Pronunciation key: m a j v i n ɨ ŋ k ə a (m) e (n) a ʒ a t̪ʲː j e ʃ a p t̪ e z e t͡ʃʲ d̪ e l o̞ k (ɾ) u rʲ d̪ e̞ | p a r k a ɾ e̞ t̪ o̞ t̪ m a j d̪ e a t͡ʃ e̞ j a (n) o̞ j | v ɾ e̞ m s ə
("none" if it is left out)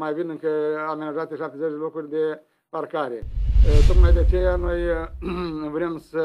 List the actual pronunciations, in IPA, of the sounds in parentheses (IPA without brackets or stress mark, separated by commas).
m, n, ɾ, n